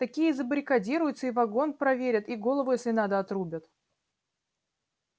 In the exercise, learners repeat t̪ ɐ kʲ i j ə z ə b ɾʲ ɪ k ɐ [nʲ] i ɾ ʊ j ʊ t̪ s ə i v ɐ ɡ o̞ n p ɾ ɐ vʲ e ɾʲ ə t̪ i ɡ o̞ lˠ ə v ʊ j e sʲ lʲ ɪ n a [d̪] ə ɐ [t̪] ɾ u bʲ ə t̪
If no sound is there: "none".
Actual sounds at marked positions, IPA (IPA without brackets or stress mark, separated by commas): dʲ, d̪, t̪